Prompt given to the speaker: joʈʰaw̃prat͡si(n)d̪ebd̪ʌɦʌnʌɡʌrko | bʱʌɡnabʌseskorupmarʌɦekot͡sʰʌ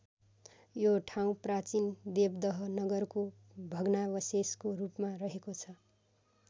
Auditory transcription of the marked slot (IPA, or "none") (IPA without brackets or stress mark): n